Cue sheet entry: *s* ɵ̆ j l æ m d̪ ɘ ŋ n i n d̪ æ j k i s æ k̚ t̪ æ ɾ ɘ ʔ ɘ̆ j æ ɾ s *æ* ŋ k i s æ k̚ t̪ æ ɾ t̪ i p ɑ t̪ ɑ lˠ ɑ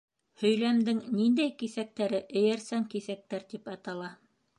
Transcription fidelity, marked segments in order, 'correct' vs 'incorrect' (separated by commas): incorrect, correct